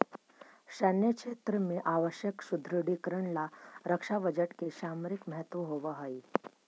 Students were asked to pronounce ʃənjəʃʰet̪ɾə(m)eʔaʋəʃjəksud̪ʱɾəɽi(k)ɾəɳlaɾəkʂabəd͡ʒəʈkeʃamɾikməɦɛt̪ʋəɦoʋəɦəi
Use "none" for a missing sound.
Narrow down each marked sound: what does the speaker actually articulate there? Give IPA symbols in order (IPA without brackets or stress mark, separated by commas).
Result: m, k